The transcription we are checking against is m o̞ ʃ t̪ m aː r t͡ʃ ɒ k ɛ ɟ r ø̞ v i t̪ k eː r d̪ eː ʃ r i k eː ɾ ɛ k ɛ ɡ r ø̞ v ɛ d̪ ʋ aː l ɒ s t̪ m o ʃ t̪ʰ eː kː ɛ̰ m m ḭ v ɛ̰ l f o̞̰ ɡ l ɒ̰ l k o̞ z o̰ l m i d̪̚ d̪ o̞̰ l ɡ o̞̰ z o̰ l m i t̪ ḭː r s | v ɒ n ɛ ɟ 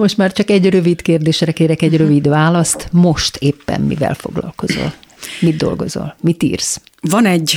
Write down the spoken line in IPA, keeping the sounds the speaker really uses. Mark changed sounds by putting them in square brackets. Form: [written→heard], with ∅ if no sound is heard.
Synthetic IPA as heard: m o̞ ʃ t̪ m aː r t͡ʃ ɒ k ɛ ɟ r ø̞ v i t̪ k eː r d̪ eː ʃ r [i→ɛ] k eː ɾ ɛ k ɛ [ɡ→ɟ] r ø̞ v [ɛ→i] d̪ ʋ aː l ɒ s t̪ m o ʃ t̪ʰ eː [kː→pː] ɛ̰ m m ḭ v ɛ̰ l f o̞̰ ɡ l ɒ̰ l k o̞ z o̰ l m i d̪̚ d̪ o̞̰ l ɡ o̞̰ z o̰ l m i t̪ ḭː r s | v ɒ n ɛ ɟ